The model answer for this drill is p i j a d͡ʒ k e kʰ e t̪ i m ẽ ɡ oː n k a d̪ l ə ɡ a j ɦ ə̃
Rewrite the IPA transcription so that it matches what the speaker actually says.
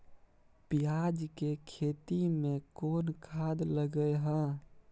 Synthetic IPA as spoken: p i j a d͡ʒ k e kʰ e t̪ i m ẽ k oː n kʰ a d̪ l ə ɡ ə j ɦ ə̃